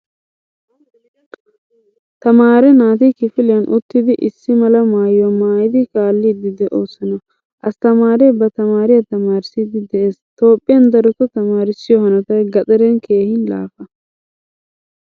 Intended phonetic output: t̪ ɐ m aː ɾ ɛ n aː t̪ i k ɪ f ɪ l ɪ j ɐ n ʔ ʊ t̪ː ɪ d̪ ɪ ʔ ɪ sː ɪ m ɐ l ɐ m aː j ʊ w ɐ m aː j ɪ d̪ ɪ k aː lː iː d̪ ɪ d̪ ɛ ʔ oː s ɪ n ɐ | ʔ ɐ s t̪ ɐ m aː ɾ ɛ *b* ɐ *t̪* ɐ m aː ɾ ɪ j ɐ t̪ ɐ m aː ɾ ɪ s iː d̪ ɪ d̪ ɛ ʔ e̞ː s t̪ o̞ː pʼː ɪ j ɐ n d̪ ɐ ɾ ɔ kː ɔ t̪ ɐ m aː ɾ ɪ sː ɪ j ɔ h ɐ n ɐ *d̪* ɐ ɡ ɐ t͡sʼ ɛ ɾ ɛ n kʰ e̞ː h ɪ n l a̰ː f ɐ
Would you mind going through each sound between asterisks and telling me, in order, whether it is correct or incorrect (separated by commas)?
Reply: correct, correct, incorrect